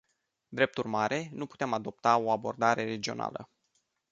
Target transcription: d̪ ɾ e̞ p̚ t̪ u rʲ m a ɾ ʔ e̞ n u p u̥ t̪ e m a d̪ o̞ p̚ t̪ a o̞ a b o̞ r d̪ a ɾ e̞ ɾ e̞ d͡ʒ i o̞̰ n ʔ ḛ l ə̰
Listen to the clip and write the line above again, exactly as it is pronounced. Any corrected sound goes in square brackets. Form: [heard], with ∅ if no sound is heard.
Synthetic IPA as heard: d̪ ɾ e̞ p̚ t̪ u rʲ m a ɾ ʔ e̞ n u p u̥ t̪ e m a d̪ o̞ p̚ t̪ a o̞ a b o̞ r d̪ a ɾ e̞ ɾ e̞ d͡ʒ i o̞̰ n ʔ [a̰] l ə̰